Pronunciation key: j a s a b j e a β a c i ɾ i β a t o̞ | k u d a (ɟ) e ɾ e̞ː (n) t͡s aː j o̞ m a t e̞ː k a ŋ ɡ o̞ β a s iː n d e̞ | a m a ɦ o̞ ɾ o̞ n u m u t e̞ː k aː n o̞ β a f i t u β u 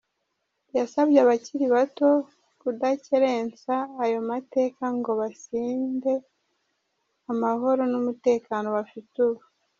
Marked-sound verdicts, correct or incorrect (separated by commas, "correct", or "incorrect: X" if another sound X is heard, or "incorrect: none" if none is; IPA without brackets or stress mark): incorrect: c, correct